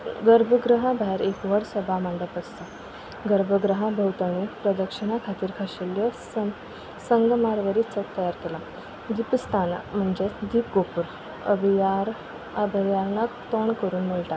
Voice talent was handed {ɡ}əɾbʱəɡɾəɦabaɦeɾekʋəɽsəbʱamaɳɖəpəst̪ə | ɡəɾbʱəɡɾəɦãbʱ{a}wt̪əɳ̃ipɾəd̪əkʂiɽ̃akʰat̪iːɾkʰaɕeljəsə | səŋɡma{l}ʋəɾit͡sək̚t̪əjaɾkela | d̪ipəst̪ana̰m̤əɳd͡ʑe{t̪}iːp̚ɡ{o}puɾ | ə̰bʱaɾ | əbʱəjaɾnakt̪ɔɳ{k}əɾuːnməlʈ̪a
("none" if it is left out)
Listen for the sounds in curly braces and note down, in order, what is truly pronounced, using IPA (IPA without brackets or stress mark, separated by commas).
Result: ɡ, ə, ɾ, d̪, o, k